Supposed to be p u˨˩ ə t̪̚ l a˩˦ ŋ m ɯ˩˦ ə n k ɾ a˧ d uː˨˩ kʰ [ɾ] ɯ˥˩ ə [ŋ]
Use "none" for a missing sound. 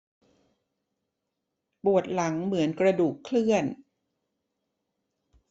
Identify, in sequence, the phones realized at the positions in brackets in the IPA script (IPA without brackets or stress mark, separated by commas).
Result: l, n